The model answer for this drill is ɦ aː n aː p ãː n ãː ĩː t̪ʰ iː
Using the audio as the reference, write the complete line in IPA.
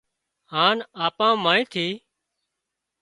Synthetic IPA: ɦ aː n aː p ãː m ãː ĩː t̪ʰ iː